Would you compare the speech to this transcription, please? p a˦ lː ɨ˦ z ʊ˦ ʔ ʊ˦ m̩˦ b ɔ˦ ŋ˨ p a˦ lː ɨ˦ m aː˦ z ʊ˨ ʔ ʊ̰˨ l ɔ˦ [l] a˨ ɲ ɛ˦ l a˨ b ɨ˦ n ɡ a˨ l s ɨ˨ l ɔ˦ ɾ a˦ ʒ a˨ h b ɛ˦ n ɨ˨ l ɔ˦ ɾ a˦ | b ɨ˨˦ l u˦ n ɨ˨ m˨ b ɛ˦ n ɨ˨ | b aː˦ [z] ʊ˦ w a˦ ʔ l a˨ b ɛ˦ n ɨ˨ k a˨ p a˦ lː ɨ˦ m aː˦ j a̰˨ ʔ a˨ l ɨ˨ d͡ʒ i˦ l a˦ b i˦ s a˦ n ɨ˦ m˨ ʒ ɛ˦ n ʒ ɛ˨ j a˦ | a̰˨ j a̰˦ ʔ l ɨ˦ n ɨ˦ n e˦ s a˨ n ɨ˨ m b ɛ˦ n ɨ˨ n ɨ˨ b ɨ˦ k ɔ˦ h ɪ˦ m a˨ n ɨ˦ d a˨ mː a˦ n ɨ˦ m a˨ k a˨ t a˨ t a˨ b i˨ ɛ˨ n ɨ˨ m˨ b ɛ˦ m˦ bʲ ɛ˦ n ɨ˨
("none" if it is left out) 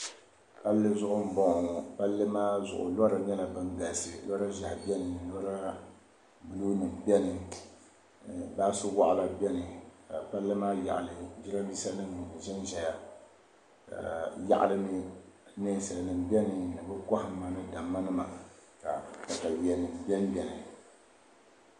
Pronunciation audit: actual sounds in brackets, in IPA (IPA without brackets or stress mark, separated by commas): ɾ, s